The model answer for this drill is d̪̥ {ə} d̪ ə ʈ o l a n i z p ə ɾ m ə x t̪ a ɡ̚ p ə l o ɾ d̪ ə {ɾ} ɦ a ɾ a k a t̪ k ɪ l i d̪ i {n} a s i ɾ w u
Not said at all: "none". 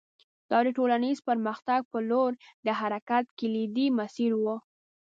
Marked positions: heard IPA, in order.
ɑ, none, m

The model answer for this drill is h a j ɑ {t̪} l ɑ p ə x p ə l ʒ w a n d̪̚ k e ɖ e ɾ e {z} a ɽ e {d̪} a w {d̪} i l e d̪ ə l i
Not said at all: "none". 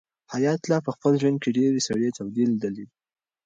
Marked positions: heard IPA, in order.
t̪, s, t̪, d̪

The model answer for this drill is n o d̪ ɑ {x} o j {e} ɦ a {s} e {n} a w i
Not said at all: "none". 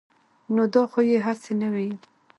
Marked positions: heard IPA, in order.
x, e, s, n

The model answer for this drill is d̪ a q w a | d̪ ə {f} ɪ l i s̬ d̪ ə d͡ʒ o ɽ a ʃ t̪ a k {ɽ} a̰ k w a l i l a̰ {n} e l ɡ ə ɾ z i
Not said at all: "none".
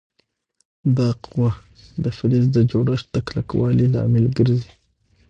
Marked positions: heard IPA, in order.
f, l, m

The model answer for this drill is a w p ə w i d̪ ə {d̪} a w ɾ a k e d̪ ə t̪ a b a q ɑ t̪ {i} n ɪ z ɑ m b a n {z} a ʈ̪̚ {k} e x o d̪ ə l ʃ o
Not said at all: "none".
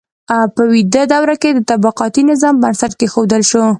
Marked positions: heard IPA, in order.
d̪, i, s, k

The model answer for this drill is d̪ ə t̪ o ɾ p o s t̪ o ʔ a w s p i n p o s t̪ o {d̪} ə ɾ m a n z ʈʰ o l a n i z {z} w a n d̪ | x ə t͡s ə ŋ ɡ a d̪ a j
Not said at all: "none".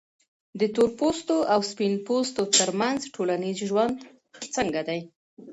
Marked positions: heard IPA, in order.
t̪, ʒ

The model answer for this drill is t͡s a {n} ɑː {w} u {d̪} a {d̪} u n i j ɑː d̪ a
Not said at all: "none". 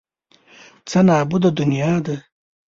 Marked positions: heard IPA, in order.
n, b, d̪, d̪

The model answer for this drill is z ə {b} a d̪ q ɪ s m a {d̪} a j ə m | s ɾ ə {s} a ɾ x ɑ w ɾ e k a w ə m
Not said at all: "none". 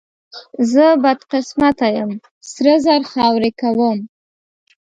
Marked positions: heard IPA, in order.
b, t̪, z

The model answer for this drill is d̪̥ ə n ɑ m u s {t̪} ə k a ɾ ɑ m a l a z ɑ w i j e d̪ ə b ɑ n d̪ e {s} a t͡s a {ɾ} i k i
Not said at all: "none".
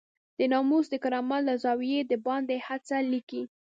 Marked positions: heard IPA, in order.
d̪, h, l

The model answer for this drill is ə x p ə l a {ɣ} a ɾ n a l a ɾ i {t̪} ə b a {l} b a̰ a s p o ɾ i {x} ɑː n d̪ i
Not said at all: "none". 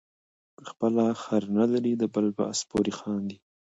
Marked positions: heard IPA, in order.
x, d̪, l, x

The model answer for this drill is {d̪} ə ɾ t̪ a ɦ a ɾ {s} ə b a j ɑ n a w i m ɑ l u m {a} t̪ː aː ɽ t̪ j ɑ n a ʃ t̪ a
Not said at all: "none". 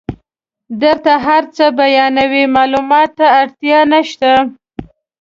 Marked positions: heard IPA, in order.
d̪, t͡s, ɑ

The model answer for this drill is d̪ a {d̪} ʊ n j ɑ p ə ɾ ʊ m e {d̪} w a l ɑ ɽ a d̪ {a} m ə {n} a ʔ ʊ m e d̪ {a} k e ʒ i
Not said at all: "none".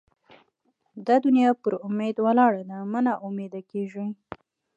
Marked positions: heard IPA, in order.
d̪, d̪, a, n, a

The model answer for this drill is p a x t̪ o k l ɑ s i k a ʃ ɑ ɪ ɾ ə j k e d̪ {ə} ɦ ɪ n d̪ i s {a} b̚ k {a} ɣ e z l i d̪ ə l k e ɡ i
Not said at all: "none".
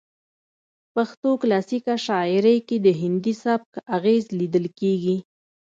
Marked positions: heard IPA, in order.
ə, a, a

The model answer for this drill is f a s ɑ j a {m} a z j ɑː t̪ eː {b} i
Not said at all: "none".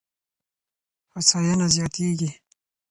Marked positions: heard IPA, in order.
n, ɡ

